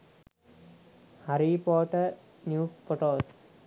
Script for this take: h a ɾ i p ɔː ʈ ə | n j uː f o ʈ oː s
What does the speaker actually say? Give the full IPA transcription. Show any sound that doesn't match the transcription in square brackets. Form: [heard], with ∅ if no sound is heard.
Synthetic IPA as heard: h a ɾ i p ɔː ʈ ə | n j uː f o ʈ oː s

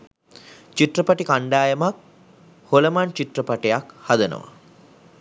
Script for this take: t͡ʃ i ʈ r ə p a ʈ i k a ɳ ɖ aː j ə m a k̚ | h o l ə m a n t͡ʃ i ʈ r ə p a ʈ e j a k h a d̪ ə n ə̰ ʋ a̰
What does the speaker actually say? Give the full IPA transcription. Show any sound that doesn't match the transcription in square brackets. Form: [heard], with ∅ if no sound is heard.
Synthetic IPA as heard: t͡ʃ i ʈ r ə p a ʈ i k a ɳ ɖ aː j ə m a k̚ | h o l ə m a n t͡ʃ i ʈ r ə p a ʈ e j a k h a d̪ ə n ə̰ ʋ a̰

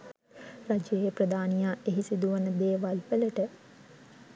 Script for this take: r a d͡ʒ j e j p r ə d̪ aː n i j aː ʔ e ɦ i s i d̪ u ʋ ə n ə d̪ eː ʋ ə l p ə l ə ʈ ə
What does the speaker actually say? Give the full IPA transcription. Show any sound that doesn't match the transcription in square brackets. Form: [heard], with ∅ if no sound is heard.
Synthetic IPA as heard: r a d͡ʒ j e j p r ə d̪ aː n i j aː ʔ e ɦ i s i d̪ u ʋ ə n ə d̪ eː ʋ [a] l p ə l ə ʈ ə

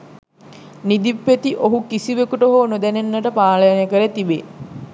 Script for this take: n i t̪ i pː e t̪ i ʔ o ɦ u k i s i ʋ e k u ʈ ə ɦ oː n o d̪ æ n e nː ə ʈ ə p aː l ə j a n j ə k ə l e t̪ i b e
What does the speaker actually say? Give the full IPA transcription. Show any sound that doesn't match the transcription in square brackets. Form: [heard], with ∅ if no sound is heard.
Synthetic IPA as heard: n i [d̪] i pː e t̪ i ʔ o ɦ u k i s i ʋ e k u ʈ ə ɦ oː n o d̪ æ n e nː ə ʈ ə p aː l ə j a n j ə k ə [ɾ] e t̪ i b e

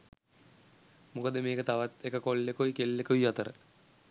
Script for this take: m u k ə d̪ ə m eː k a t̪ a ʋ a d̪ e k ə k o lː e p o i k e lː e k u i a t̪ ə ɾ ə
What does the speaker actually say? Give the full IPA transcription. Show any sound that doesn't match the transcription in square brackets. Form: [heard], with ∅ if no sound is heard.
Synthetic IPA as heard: m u k ə d̪ ə m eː k [ə] t̪ a ʋ a [t̪] e k ə k o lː e [k] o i k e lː e k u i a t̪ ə ɾ ə

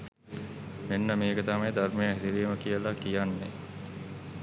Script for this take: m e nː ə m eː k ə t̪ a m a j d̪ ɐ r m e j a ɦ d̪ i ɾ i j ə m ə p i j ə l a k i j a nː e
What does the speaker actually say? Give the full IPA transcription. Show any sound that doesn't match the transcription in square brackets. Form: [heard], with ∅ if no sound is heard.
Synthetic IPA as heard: m e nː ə m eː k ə t̪ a m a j d̪ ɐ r m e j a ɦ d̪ i ɾ i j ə m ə [k] i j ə l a k i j a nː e

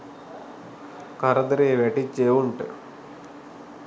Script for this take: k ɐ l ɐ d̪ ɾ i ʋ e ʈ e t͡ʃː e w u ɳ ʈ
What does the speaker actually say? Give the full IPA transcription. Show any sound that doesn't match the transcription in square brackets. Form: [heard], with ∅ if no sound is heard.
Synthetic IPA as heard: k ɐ [ɾ] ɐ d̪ ɾ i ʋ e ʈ [i] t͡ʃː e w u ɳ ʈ

